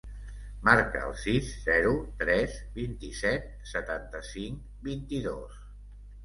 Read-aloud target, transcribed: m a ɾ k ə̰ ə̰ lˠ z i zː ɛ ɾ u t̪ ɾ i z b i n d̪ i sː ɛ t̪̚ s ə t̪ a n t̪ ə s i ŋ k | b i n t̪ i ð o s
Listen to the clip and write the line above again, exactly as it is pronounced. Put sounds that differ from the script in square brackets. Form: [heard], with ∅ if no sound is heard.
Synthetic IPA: m a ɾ k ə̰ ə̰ lˠ [s] i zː ɛ ɾ u t̪ ɾ [ɛ] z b i n [t̪] i [s] ɛ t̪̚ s ə t̪ a n t̪ ə s i ŋ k | b i n t̪ i ð o s